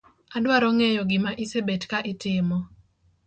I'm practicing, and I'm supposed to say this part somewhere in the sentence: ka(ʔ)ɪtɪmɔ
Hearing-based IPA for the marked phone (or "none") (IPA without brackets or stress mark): ʔ